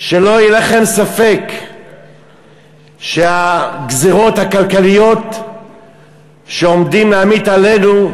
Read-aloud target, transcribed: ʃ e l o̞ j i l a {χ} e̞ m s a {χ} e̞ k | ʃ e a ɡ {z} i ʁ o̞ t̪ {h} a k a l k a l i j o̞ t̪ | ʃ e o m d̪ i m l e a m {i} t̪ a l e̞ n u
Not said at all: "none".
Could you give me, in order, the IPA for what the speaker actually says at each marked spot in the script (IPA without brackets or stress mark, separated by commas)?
χ, f, z, h, i